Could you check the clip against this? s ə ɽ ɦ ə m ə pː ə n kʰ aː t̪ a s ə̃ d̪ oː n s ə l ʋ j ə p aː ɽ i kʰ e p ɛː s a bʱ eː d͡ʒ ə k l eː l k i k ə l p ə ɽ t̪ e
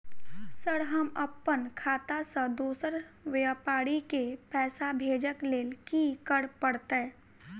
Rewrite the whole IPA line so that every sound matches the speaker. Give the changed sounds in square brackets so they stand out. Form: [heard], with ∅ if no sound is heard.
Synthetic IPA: s ə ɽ ɦ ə m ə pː ə n kʰ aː t̪ a s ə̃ d̪ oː [∅] s ə [ɾ] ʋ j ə p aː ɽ i [k] e p ɛː s a bʱ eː d͡ʒ ə k l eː l k i k ə [ɽ] p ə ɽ t̪ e